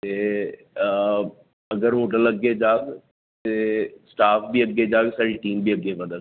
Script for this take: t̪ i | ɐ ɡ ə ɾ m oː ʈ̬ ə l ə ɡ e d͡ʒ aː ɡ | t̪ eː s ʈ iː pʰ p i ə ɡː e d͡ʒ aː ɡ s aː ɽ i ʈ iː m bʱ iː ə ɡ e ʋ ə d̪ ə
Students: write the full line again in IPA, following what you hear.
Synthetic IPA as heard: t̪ e | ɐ ɡ ə ɾ m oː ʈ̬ ə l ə ɡ e d͡ʒ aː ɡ | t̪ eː s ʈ aː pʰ b i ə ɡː e d͡ʒ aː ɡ s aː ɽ i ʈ iː m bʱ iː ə ɡ e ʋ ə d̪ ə